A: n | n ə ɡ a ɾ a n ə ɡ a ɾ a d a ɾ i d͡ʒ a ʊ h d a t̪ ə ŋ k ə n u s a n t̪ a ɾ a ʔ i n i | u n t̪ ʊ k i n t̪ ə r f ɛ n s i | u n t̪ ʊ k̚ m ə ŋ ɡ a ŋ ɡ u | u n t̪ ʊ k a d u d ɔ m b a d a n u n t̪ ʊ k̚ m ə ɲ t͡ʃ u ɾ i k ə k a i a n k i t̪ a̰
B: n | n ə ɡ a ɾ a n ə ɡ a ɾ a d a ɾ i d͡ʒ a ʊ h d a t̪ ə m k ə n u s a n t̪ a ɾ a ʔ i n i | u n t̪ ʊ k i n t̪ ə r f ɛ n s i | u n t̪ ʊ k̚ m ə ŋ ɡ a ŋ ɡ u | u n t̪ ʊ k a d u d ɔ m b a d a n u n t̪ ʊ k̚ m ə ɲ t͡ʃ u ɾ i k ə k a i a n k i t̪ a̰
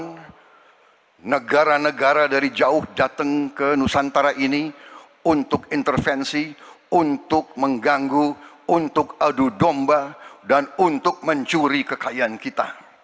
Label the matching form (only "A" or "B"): A